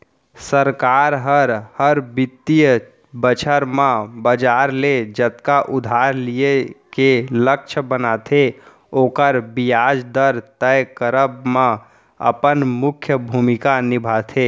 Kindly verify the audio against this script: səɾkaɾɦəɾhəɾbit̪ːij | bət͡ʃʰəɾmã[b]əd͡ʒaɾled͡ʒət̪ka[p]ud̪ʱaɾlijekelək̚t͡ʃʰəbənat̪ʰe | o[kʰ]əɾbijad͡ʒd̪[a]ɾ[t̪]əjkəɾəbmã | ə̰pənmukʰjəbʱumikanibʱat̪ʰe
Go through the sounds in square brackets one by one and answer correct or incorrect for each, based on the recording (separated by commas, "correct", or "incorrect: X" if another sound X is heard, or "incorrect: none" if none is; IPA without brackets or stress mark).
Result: correct, incorrect: ʔ, incorrect: k, incorrect: ə, correct